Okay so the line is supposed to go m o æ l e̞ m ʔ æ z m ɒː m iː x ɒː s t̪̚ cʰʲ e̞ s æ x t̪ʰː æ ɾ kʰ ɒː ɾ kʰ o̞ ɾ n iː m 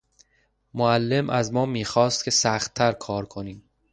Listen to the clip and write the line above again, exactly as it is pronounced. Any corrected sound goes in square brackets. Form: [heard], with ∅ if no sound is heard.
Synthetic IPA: m o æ [lː] e̞ m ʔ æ z m ɒː m iː x ɒː s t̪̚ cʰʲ e̞ s æ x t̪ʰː æ ɾ kʰ ɒː ɾ kʰ o̞ [∅] n iː m